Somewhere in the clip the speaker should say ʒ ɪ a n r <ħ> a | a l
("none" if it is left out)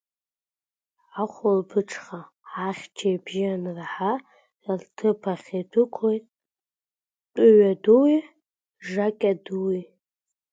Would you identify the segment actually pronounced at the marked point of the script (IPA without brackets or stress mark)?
ħ